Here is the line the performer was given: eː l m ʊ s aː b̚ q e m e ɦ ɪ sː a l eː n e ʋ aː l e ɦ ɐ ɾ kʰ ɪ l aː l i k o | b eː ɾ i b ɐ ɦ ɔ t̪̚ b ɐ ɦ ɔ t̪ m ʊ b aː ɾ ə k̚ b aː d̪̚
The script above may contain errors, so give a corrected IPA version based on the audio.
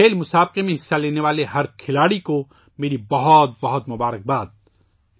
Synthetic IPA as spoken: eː l m ʊ s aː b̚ q e m ẽ ɦ ɪ sː a l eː n e ʋ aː l e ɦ ɐ ɾ kʰ ɪ l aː ɽ i k o | m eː ɾ i b ɐ ɦ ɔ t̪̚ b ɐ ɦ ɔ t̪ m ʊ b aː ɾ ə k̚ b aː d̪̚

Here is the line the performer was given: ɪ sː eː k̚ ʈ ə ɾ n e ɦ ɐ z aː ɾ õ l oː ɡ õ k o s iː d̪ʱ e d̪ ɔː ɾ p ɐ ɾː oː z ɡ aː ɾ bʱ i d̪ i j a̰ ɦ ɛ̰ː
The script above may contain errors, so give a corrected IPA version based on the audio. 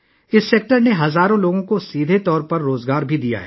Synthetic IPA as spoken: ɪ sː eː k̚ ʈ ə ɾ n e ɦ ɐ z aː ɾ õ l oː ɡ õ k o s iː d̪ʱ e t̪ ɔː ɾ p ɐ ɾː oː z ɡ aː ɾ bʱ i d̪ i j a̰ ɦ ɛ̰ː

